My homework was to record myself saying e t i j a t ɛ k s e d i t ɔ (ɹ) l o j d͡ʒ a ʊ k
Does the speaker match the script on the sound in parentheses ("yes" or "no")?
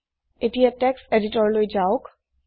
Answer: yes